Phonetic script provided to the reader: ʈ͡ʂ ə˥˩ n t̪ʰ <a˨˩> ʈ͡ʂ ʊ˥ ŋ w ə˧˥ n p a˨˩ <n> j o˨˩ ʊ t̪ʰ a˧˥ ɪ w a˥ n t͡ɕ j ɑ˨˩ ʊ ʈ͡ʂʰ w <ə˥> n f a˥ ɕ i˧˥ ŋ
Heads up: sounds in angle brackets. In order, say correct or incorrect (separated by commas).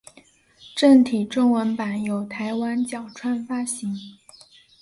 incorrect, correct, incorrect